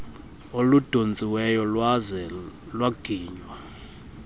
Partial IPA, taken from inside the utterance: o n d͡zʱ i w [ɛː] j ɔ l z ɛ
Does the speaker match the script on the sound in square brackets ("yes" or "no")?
no